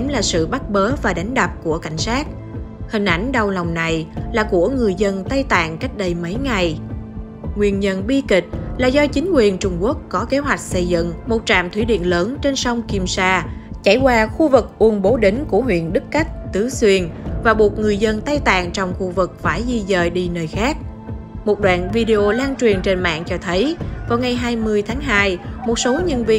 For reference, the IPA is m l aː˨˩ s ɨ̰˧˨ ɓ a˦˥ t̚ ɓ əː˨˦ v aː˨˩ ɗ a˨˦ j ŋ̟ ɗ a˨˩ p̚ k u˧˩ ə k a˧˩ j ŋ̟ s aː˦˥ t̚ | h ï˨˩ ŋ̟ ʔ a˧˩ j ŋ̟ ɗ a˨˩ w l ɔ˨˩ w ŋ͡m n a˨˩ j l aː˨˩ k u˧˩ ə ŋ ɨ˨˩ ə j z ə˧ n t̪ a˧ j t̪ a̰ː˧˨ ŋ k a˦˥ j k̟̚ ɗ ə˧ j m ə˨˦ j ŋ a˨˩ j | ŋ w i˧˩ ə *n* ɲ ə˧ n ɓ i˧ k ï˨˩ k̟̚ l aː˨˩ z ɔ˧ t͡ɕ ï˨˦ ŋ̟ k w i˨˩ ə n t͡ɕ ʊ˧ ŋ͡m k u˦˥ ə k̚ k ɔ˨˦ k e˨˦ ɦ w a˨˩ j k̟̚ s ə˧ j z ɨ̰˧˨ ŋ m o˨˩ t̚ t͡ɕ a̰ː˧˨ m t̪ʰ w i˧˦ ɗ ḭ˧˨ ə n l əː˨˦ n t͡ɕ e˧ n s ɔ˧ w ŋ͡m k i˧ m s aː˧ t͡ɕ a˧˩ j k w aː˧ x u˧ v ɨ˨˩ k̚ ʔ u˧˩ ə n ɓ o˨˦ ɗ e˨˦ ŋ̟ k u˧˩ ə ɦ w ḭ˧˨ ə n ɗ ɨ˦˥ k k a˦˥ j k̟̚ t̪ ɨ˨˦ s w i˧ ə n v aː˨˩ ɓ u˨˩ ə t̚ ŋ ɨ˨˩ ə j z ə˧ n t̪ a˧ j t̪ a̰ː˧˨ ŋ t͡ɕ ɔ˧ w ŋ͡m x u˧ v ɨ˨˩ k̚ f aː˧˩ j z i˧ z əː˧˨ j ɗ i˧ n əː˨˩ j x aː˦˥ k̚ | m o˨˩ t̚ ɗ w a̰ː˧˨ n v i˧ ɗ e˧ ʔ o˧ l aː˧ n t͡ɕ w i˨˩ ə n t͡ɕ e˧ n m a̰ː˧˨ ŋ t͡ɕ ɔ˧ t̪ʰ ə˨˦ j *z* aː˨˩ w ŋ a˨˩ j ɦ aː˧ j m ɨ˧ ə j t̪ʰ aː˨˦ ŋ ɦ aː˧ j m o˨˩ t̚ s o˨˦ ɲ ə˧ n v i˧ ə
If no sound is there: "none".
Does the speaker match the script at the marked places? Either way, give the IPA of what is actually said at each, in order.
n, v

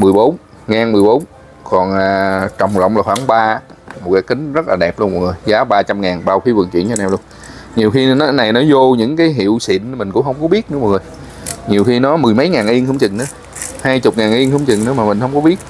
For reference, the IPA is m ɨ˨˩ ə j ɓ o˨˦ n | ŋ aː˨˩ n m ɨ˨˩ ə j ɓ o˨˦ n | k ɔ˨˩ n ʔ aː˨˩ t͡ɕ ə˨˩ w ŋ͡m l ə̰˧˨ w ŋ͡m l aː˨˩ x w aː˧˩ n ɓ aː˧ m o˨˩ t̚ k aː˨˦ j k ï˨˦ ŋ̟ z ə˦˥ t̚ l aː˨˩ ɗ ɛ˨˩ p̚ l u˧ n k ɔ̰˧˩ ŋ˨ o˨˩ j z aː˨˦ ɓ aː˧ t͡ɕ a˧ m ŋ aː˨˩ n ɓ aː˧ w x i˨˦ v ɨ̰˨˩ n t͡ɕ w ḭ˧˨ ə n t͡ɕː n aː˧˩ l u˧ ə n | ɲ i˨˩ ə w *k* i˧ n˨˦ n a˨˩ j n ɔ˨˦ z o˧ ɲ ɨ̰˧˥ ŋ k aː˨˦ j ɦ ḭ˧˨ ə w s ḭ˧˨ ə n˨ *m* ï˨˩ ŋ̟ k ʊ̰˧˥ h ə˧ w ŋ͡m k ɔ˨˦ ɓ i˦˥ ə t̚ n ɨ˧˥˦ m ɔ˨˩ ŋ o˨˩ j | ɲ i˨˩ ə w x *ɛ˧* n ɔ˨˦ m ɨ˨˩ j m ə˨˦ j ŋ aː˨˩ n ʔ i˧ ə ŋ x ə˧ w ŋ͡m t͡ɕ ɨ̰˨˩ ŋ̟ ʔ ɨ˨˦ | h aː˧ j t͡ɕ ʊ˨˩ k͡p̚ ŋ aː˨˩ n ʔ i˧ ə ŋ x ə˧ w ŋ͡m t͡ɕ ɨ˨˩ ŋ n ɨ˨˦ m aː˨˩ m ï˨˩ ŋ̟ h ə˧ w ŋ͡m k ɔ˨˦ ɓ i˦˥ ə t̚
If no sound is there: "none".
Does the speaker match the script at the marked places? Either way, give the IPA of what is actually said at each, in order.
x, m, i˧

